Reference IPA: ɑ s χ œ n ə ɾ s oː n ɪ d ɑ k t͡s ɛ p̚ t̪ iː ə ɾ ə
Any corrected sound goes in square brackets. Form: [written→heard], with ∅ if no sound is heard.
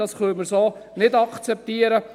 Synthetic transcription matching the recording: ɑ s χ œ [n→m] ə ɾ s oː n ɪ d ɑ k t͡s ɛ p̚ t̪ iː ə ɾ ə